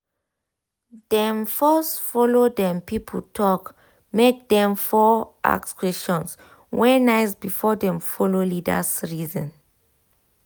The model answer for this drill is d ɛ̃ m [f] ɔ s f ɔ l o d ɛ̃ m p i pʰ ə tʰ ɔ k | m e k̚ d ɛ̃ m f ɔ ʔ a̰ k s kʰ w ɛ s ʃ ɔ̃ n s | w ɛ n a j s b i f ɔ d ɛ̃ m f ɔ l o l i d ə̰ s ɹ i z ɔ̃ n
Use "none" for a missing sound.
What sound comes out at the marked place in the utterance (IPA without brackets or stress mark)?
f